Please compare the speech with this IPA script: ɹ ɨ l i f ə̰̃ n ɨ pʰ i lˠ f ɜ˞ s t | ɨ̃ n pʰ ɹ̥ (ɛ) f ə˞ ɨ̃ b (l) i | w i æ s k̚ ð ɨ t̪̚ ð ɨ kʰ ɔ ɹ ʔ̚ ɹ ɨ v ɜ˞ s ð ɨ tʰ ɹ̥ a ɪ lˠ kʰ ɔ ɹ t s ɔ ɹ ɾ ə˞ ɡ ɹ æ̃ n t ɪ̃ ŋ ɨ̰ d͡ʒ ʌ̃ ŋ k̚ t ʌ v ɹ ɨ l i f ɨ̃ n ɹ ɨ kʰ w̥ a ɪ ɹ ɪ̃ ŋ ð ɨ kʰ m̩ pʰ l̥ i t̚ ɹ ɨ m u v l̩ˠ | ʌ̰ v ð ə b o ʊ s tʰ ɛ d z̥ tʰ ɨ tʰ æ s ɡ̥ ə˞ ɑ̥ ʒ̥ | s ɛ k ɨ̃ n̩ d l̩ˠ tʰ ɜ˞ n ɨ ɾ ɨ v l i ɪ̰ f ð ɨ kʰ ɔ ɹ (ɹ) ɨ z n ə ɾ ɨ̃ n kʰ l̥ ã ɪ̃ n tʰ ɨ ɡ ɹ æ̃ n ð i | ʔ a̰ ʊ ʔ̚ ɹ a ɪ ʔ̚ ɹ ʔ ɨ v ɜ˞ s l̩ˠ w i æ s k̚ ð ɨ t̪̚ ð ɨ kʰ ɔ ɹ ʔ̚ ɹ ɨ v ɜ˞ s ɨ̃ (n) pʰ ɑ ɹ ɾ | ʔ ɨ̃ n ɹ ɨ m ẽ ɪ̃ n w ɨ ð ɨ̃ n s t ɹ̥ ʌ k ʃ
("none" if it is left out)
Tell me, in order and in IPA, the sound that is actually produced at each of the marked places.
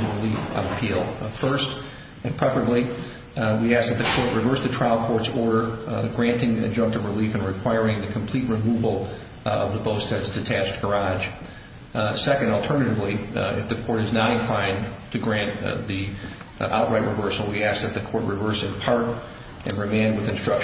ɛ, l, ɾ, n

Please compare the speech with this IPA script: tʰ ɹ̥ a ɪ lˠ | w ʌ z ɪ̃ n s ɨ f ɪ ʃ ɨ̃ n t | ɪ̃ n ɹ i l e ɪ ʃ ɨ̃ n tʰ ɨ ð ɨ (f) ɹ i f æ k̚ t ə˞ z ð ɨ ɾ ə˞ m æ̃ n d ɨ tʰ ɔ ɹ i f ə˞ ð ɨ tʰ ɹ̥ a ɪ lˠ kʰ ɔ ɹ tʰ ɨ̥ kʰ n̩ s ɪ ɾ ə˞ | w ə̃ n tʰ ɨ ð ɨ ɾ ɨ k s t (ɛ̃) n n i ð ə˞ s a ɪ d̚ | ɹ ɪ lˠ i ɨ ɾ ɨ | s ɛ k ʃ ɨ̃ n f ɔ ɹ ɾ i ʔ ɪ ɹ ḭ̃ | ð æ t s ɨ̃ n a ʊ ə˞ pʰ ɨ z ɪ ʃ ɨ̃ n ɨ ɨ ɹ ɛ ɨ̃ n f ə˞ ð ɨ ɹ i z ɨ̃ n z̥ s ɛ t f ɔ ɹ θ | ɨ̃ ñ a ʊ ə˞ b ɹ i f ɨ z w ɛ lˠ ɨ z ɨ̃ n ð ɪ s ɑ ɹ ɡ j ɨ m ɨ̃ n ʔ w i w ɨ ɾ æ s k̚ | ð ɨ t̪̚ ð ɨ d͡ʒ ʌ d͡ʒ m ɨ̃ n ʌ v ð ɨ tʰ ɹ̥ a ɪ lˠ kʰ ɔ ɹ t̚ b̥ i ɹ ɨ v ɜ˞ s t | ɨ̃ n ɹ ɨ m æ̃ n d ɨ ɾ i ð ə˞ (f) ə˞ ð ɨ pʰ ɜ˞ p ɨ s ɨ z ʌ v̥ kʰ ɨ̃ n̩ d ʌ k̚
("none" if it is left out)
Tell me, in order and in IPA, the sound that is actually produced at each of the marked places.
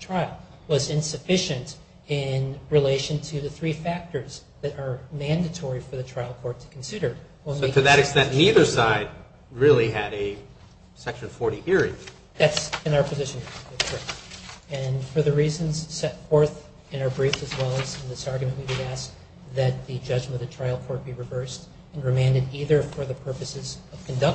θ, ɛ̃, f

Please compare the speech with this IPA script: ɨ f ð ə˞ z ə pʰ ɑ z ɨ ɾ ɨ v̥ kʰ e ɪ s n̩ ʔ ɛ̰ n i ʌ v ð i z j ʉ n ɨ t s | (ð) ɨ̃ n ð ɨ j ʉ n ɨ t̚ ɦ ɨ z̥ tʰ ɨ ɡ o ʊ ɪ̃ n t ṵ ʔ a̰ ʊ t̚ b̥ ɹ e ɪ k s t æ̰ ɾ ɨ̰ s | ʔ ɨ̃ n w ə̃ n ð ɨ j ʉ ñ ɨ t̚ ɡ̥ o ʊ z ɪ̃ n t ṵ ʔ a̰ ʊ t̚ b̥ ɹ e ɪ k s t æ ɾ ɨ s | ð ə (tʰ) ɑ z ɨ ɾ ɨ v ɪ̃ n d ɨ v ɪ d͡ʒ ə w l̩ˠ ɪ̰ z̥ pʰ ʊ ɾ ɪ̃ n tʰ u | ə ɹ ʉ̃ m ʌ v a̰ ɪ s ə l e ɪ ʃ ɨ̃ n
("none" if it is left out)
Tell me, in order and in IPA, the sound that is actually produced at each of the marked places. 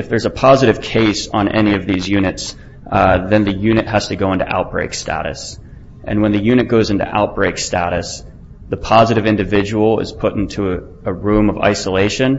ð, pʰ

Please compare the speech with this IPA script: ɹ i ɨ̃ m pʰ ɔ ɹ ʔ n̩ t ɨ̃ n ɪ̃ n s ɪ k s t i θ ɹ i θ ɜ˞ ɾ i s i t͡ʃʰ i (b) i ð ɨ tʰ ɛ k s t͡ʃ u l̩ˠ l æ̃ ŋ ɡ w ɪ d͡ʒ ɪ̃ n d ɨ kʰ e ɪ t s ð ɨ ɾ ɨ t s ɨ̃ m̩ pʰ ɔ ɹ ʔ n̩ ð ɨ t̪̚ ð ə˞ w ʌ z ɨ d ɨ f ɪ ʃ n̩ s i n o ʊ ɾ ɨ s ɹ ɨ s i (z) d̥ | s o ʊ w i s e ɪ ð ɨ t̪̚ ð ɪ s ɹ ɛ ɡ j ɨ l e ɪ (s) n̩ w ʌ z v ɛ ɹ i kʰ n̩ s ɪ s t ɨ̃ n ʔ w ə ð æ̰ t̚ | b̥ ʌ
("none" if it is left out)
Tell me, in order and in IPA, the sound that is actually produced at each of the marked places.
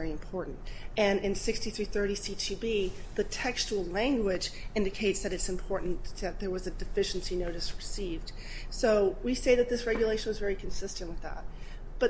b, v, ʃ

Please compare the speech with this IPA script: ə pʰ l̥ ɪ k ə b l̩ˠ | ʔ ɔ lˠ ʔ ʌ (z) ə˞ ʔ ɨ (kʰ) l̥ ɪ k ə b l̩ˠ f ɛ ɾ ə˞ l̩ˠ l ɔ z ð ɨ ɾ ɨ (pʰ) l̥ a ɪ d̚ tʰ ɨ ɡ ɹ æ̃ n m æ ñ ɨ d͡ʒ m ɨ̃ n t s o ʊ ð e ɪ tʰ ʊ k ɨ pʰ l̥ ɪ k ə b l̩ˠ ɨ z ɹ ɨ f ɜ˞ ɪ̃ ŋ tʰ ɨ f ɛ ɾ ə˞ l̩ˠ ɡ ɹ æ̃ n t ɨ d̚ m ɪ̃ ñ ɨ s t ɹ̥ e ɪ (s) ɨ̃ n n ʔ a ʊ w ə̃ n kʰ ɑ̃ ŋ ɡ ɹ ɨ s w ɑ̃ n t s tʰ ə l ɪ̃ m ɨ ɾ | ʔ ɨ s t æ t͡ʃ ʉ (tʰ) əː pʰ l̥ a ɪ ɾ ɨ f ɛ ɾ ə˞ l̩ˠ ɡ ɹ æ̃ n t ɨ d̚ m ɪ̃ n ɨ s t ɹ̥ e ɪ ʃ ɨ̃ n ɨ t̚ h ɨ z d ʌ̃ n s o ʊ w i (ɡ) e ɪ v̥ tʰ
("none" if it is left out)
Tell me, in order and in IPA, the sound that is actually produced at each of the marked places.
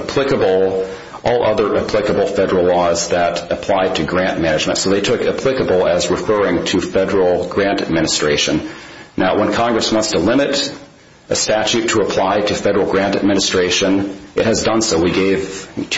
ð, pʰ, pʰ, ʃ, tʰ, ɡ

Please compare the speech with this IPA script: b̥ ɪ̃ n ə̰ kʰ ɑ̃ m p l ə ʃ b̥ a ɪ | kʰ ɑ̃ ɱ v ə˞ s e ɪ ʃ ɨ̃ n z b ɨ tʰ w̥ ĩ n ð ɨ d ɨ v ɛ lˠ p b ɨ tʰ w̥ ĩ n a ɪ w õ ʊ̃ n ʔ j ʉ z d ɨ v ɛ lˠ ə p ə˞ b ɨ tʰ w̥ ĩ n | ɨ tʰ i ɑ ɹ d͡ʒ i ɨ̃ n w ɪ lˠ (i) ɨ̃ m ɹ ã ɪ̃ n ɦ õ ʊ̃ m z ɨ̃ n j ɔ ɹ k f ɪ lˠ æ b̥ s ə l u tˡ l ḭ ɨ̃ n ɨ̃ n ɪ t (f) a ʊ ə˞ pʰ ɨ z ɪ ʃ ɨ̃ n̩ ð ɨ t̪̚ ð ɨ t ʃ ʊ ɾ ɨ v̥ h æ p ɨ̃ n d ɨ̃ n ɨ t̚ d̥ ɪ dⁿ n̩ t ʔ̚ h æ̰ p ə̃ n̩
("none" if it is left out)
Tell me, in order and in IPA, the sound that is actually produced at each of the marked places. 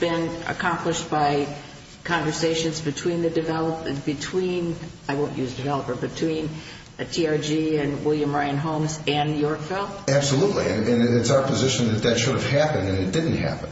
j, s

